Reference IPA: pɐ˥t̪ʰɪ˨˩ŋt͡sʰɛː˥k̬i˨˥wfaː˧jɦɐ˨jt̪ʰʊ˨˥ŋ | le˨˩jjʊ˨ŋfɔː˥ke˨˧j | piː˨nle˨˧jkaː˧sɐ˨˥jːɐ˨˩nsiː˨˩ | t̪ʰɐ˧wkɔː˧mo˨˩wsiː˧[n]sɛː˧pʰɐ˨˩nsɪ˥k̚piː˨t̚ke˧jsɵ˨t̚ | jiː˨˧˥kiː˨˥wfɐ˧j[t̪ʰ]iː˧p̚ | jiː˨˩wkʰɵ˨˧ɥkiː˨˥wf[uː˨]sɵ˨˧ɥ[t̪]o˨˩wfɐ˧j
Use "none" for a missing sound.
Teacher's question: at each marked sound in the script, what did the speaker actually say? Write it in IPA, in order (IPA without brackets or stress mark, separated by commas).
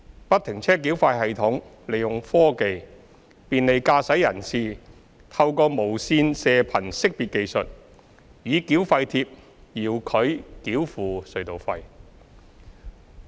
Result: n, t̪ʰ, uː˨, t̪